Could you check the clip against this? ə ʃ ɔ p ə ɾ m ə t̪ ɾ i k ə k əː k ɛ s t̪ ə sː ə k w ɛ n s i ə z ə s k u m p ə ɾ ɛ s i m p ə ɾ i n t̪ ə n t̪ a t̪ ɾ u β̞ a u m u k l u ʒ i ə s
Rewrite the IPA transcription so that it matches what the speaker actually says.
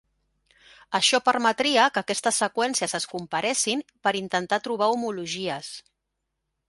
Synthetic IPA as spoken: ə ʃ ɔ p ə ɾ m ə t̪ ɾ i ə k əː k ɛ s t̪ ə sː ə k w ɛ n s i ə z ə s k u m p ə ɾ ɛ s i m p ə ɾ i n t̪ ə n t̪ a t̪ ɾ u β̞ a u m u l u ʒ i ə s